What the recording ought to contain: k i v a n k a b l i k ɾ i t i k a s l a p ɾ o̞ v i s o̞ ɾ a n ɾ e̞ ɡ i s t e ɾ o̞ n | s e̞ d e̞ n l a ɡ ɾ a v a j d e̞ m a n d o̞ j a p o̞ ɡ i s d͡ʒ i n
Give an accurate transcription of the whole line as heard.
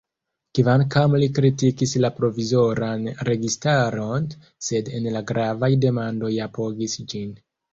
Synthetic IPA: k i v a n k a m l i k ɾ i t i k i s l a p ɾ o̞ v i z o̞ ɾ a n ɾ e̞ ɡ i s t a ɾ o̞ n | s e̞ d e̞ n l a ɡ ɾ a v a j d e̞ m a n d o̞ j a p o̞ ɡ i s d͡ʒ i n